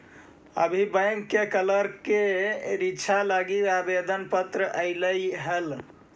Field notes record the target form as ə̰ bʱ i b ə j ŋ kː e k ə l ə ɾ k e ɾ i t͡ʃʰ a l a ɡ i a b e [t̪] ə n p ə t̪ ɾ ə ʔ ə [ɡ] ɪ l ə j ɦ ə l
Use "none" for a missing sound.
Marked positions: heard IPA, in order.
d̪, none

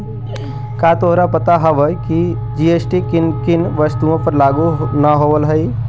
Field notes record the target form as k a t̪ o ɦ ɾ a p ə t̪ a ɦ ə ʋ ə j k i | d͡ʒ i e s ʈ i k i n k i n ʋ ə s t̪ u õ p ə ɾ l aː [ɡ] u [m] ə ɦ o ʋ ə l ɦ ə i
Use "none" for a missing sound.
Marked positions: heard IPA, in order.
ɡ, n

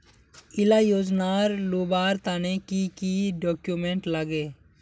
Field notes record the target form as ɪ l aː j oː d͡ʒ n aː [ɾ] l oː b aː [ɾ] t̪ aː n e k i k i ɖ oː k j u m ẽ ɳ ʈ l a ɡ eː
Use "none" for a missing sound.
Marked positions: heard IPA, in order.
ɾ, ɾ

